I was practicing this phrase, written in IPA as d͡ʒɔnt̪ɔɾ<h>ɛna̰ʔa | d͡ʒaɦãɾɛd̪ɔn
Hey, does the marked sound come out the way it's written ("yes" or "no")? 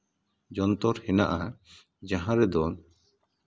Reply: yes